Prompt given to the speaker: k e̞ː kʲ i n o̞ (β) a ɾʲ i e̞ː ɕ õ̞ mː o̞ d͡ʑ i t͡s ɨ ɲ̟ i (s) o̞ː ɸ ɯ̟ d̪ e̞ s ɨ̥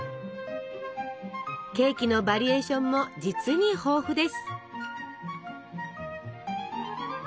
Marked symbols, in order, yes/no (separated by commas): no, no